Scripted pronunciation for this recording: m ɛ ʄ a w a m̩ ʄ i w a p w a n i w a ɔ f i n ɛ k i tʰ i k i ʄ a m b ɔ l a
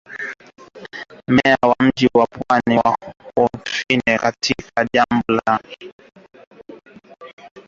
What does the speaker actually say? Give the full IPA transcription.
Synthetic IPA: m ɛ a w a m̩ ʄ i w a p w a n i w a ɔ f i n ɛ k a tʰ i k a ʄ a m b ɔ l a